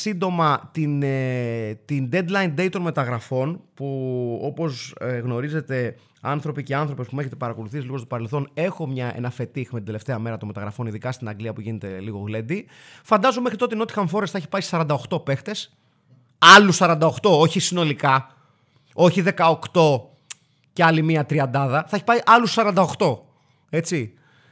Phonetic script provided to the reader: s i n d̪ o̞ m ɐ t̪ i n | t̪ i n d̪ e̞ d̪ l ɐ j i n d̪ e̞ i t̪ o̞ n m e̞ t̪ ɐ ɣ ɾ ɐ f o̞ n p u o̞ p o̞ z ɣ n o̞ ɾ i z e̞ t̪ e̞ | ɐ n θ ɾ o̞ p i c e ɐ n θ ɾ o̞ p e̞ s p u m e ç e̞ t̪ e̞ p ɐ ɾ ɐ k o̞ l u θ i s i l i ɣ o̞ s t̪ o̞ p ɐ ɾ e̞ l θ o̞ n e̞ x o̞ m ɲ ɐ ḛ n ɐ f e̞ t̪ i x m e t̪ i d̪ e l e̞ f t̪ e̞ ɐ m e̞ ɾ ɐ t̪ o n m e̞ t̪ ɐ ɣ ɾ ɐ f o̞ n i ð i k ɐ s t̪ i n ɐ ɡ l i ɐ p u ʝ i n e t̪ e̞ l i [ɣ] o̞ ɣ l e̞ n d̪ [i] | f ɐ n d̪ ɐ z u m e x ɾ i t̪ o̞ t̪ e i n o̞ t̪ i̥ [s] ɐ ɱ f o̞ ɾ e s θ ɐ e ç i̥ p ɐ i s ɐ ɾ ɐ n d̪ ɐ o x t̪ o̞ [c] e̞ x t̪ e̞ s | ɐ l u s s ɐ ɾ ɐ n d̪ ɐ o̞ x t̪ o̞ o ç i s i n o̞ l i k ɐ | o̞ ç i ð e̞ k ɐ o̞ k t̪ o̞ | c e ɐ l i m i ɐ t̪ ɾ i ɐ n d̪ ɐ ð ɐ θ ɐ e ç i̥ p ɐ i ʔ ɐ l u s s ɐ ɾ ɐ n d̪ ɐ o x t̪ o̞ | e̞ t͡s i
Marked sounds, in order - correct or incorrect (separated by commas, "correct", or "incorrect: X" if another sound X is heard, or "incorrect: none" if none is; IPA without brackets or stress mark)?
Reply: correct, correct, incorrect: x, incorrect: p